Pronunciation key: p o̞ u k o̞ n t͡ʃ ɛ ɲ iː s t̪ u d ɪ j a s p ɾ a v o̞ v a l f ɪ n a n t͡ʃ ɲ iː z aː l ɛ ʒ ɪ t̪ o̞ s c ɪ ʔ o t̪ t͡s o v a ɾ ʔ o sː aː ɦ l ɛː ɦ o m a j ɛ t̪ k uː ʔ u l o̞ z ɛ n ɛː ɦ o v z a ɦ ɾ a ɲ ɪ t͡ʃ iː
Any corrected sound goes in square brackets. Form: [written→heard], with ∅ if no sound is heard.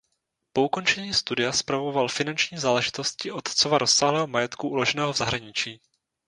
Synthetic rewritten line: p o̞ u k o̞ n t͡ʃ ɛ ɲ iː s t̪ u d ɪ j a s p ɾ a v o̞ v a l f ɪ n a n t͡ʃ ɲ iː z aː l ɛ ʒ ɪ t̪ o̞ s c ɪ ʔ o t̪ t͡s o v a ɾ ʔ o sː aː ɦ l ɛː ɦ o m a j ɛ t̪ k [uː→u] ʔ u l o̞ [z→ʒ] ɛ n ɛː ɦ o v z a ɦ ɾ a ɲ ɪ t͡ʃ iː